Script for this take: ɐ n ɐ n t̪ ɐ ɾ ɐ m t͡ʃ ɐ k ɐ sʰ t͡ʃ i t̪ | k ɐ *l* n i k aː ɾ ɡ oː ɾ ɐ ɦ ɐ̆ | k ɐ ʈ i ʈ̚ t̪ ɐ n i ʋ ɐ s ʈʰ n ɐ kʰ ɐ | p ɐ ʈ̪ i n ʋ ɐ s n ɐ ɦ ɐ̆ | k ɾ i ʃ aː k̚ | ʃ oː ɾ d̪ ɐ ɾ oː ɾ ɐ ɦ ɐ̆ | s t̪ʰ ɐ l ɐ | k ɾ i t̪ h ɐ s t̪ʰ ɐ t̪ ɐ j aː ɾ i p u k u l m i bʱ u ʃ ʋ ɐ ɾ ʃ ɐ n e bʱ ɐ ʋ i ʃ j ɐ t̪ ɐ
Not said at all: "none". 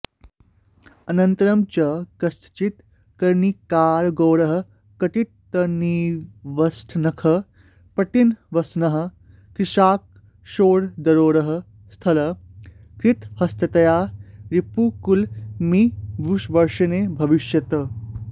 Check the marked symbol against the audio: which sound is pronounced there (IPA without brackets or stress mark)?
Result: ɾ